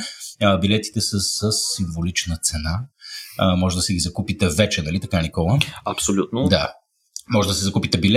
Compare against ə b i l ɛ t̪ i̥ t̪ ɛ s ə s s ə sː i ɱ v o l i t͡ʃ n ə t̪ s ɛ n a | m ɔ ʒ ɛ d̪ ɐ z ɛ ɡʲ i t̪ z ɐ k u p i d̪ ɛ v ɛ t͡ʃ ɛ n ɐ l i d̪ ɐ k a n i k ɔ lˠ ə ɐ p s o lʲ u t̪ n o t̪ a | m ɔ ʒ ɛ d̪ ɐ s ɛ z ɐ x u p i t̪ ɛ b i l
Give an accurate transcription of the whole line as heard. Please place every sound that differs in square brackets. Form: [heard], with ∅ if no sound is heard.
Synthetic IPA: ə b i l ɛ t̪ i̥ t̪ ɛ s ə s s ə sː i ɱ v o l i t͡ʃ n ə t̪ s ɛ n a | m ɔ ʒ ɛ d̪ ɐ [s] ɛ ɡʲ i [∅] z ɐ k u p i [t̪] ɛ v ɛ t͡ʃ ɛ n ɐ l i [t̪] ɐ k a n i k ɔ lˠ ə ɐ p s o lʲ u t̪ n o [d̪] a | m ɔ ʒ ɛ d̪ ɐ s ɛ z ɐ [k] u p i t̪ ɛ b i l